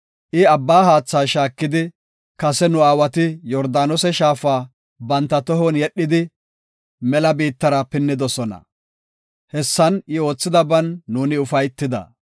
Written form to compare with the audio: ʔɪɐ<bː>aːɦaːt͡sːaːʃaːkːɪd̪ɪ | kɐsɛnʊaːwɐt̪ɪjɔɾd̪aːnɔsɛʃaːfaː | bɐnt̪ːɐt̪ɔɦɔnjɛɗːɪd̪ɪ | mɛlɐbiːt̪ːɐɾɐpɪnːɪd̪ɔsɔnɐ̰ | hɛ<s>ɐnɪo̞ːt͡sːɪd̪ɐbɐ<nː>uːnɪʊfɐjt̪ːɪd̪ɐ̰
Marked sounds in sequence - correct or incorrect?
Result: correct, incorrect: sː, correct

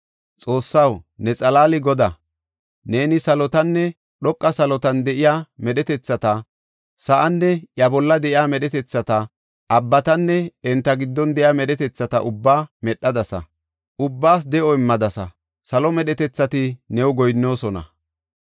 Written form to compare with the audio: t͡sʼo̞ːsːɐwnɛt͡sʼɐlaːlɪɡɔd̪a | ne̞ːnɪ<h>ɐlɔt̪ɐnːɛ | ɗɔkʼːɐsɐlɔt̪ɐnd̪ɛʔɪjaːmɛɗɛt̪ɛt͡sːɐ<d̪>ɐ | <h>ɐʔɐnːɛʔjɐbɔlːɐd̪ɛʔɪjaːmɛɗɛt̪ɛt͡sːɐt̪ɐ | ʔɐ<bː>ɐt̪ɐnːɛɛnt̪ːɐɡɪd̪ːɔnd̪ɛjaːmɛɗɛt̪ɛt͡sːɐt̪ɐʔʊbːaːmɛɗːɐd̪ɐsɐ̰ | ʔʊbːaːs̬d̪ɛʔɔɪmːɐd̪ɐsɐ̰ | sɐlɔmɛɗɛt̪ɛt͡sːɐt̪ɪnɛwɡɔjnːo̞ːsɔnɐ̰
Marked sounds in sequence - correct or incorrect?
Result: incorrect: s, incorrect: t̪, incorrect: s, correct

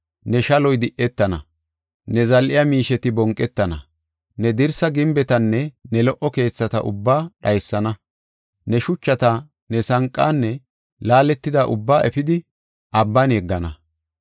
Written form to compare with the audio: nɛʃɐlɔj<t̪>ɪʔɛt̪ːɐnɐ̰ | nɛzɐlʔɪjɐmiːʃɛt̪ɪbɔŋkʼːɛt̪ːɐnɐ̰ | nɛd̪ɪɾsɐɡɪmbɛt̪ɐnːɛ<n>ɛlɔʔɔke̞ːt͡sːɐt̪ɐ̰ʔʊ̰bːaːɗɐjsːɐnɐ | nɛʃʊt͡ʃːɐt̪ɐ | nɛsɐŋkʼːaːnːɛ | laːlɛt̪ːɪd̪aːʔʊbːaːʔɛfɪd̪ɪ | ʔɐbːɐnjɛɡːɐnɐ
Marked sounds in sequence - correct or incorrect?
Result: incorrect: d̪, correct

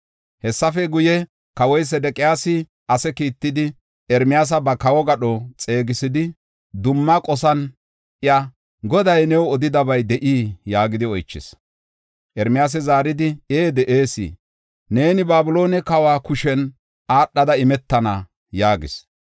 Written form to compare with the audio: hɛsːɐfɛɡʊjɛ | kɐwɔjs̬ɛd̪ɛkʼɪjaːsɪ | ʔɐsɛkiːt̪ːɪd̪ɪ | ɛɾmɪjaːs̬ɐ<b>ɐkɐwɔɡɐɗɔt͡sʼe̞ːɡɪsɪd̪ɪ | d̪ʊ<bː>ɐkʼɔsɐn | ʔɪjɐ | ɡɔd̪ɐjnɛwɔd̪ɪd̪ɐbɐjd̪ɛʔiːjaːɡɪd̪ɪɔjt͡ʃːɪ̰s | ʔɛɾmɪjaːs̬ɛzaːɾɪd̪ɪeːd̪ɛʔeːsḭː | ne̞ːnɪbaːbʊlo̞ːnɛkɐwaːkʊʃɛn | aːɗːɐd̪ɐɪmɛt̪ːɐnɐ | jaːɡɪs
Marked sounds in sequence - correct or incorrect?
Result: correct, incorrect: mː

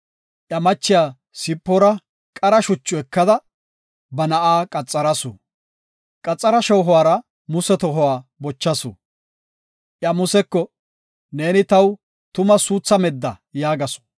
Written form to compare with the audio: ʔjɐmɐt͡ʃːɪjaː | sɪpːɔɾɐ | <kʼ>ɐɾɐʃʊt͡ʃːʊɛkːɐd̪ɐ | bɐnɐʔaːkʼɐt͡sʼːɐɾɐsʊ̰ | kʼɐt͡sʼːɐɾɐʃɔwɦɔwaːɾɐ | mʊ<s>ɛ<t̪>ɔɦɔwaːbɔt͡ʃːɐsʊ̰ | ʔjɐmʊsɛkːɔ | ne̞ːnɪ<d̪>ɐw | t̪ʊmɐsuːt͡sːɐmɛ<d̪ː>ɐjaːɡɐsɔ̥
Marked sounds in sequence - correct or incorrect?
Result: correct, correct, correct, incorrect: t̪, correct

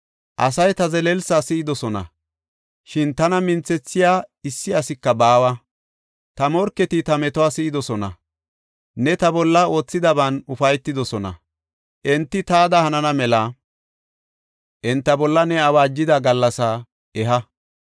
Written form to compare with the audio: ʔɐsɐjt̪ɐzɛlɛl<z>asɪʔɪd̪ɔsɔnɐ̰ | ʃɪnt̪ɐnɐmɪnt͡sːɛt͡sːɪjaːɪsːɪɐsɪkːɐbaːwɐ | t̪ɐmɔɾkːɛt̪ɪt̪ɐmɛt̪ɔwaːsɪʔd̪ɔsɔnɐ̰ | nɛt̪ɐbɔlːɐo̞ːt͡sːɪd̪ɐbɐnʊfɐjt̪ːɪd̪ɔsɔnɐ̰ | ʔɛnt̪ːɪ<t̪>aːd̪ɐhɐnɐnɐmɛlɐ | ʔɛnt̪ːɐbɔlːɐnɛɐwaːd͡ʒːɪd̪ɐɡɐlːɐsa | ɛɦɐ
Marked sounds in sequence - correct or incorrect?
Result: incorrect: s, correct

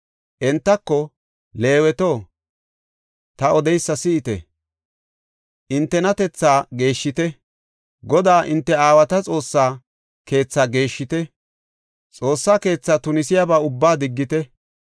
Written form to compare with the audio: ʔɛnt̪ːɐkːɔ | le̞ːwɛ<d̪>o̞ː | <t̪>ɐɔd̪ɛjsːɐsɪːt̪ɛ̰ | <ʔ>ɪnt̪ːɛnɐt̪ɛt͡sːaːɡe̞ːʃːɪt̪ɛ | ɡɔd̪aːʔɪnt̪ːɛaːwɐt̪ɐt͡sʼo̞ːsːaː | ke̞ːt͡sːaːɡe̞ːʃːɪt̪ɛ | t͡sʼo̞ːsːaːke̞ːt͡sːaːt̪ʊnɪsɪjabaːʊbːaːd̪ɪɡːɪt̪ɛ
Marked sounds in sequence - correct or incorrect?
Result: incorrect: t̪, correct, correct

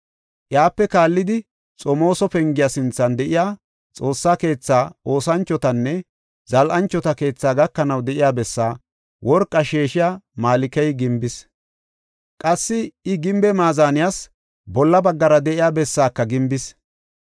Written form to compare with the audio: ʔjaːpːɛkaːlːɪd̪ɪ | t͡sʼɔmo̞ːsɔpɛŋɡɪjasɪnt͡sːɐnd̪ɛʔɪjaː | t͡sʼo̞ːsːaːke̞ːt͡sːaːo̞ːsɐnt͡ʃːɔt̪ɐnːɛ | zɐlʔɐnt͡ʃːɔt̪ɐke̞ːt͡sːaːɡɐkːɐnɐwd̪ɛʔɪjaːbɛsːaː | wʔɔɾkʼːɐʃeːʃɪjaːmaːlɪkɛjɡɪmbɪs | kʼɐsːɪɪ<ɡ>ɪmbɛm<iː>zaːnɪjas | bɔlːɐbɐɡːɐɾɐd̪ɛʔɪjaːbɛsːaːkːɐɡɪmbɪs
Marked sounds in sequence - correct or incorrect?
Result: correct, incorrect: aː

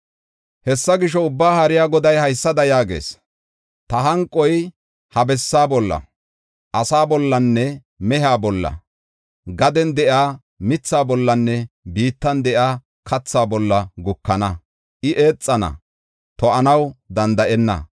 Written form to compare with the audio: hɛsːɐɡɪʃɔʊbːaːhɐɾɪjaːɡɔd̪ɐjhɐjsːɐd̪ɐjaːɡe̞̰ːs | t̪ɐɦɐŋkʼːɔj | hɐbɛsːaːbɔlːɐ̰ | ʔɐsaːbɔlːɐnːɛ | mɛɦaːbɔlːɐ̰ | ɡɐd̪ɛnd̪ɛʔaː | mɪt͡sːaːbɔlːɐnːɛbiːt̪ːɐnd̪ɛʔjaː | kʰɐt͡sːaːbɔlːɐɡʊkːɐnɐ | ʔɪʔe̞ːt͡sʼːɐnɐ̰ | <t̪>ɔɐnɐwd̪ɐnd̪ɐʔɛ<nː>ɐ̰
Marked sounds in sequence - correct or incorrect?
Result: correct, correct

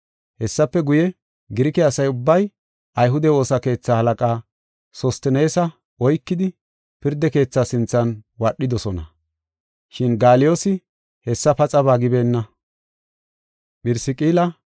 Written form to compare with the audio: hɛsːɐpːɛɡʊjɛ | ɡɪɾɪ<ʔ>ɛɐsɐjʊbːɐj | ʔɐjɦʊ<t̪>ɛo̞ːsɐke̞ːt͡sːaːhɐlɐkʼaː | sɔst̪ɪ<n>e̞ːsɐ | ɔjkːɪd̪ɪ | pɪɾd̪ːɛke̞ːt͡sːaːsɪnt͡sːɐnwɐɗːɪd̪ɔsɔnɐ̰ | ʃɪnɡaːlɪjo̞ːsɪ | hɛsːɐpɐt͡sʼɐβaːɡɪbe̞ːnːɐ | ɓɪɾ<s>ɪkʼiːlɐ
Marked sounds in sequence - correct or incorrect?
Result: incorrect: k, incorrect: d̪, correct, correct

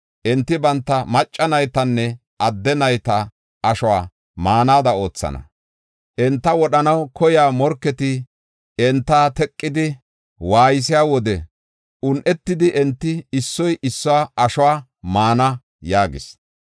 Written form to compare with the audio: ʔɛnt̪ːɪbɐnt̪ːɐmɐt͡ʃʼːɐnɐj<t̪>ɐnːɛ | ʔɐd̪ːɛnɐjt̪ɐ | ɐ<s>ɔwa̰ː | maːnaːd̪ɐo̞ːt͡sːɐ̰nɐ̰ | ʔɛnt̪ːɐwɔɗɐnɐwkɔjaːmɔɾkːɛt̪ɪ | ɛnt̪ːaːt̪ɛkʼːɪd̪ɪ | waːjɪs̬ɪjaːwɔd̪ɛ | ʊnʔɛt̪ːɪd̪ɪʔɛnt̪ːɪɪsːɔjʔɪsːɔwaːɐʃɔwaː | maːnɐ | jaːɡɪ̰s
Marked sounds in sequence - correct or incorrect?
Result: correct, incorrect: ʃ

